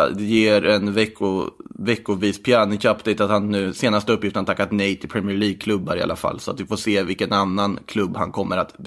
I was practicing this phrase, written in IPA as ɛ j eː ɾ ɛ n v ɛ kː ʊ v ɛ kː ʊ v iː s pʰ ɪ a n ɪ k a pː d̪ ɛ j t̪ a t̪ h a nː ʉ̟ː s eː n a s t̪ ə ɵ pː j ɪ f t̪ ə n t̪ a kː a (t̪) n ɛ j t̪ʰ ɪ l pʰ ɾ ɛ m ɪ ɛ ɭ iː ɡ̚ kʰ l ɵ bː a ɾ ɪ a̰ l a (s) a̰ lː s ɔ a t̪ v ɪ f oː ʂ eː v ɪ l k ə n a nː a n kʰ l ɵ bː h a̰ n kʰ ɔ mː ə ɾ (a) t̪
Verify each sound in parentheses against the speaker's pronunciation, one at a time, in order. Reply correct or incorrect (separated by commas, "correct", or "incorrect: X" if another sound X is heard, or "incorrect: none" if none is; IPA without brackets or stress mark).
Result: correct, incorrect: f, correct